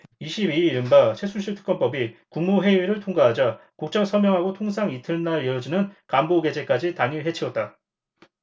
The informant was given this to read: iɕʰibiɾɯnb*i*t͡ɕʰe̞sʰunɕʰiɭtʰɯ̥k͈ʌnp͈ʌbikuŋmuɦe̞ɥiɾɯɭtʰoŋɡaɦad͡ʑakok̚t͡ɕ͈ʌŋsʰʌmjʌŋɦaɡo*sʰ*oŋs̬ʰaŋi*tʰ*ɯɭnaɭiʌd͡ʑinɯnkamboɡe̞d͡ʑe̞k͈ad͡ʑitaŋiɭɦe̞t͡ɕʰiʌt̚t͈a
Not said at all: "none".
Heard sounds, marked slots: a, tʰ, tʰ

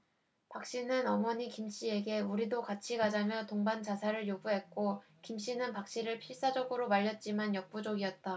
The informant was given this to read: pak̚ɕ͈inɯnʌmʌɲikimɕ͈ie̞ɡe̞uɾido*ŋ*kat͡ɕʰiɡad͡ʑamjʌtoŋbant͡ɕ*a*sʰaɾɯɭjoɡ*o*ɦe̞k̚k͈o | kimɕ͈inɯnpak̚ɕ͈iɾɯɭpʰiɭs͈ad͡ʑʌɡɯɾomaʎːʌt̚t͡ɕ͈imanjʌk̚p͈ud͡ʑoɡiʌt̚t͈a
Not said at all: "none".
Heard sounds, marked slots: none, a, u

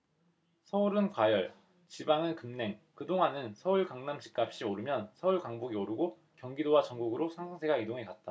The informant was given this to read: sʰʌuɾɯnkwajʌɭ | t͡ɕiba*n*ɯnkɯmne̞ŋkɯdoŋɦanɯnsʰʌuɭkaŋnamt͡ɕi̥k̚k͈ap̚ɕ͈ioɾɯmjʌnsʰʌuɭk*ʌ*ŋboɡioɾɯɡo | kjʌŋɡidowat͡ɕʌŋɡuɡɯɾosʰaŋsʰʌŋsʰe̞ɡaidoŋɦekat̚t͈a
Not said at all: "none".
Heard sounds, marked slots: ŋ, a

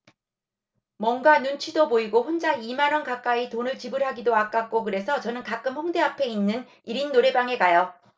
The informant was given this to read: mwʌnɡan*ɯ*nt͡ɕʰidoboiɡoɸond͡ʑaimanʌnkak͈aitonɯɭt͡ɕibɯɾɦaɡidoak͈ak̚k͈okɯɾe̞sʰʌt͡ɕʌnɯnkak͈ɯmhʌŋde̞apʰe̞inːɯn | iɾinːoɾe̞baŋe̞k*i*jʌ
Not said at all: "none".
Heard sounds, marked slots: u, a

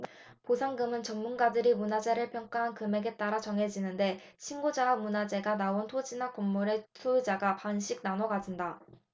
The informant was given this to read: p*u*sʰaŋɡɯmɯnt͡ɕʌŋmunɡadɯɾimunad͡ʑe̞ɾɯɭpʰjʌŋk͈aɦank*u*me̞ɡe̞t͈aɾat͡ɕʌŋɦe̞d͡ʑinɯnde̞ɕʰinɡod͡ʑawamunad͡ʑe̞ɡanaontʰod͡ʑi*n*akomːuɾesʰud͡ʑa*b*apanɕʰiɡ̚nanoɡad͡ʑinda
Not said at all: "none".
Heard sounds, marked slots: o, ɯ, n, ɡ

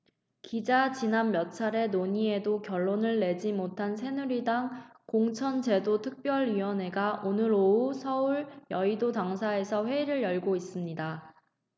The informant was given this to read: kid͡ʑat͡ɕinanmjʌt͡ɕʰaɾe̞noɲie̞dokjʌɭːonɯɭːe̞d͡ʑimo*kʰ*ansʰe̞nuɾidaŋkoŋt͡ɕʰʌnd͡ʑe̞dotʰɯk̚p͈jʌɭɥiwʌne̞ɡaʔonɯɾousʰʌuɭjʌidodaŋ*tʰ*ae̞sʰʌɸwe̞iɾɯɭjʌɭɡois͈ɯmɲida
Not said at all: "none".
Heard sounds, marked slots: tʰ, sʰ

